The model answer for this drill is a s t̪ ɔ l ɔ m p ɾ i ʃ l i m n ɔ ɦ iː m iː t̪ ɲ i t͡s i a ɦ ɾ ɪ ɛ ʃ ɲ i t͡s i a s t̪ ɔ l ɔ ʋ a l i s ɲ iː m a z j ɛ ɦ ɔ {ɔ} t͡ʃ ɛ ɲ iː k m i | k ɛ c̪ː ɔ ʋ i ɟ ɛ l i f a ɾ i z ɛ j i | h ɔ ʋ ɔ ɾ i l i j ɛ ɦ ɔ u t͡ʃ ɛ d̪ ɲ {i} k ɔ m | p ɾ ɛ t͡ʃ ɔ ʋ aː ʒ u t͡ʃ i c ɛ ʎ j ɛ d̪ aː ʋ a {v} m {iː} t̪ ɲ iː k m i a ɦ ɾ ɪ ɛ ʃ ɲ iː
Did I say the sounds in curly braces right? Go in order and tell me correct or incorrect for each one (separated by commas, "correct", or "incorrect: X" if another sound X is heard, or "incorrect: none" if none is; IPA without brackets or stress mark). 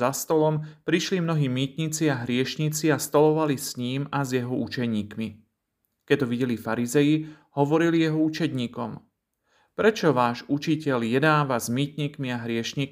incorrect: u, incorrect: iː, incorrect: z, correct